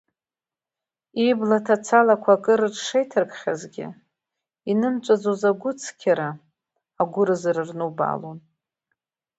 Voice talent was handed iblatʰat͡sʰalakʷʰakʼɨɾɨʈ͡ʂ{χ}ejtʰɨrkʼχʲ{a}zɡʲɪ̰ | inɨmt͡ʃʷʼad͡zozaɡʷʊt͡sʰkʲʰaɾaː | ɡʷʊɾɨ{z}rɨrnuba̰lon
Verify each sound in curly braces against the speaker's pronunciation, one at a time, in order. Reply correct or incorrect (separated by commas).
incorrect, correct, correct